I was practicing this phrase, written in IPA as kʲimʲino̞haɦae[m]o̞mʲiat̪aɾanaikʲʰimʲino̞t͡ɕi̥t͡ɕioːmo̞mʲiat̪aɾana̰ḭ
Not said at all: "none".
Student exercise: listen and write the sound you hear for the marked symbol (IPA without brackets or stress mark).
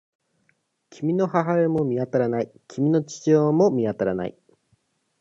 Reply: m